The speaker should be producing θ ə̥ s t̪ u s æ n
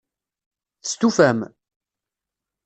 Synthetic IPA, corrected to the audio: θ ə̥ s t̪ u f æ m